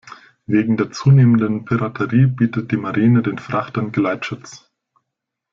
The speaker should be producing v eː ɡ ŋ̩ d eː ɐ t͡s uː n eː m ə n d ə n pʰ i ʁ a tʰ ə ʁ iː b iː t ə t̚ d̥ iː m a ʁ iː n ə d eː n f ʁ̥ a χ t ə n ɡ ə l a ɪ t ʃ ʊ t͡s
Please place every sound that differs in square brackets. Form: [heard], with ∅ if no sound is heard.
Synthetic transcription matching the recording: v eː ɡ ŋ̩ d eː ɐ t͡s uː n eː m ə n d ə n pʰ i ʁ a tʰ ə ʁ iː b iː t ə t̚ d̥ iː m a ʁ iː n ə d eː n f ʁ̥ a χ t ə n ɡ ə l a ɪ t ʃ ʊ t͡s